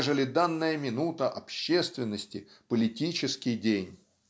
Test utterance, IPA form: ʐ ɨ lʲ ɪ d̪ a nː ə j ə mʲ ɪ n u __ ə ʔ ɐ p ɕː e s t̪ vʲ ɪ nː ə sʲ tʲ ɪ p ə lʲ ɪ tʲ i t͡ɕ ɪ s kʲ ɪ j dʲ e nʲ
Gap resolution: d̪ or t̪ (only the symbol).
t̪